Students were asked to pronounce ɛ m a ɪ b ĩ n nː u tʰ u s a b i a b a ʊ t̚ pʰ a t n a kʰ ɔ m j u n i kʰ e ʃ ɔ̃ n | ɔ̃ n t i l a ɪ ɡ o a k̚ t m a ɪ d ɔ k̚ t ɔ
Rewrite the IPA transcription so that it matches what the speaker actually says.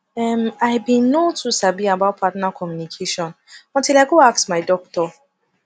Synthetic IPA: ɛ m a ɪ b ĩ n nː o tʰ u s a b i a b a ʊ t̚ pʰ a t n a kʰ ɔ m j u n i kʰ e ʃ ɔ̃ n | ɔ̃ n t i l a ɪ ɡ o a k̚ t m a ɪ d ɔ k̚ t ɔ